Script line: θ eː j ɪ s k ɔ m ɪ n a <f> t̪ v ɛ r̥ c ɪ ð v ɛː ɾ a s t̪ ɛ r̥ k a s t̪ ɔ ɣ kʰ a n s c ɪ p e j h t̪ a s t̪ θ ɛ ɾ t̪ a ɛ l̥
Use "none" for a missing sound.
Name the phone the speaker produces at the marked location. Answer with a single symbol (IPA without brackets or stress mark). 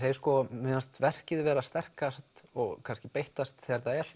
s